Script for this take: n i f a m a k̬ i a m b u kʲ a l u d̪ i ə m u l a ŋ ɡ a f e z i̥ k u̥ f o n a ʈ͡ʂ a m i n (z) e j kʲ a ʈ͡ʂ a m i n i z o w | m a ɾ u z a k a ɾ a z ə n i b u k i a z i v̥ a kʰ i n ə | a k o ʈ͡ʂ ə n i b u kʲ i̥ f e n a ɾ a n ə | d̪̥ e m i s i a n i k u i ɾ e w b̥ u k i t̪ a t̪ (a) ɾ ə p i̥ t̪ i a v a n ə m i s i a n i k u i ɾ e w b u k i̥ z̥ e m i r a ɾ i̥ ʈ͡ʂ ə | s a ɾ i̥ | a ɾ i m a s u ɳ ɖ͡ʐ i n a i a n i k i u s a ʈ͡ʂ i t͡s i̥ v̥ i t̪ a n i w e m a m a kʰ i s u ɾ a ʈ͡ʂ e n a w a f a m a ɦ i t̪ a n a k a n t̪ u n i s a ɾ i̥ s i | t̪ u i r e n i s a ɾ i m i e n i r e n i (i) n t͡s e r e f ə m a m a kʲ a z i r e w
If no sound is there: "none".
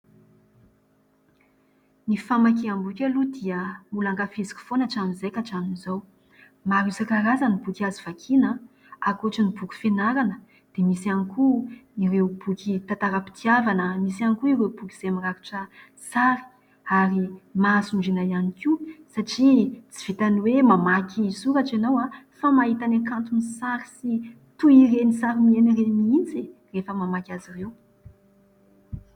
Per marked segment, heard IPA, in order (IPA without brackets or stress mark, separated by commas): z, a, i